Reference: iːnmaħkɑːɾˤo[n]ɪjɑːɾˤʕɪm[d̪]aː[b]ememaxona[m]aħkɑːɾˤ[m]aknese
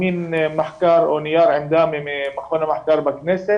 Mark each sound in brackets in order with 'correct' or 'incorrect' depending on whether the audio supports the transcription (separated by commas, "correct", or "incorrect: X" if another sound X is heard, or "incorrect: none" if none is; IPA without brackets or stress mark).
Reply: correct, correct, incorrect: m, correct, incorrect: b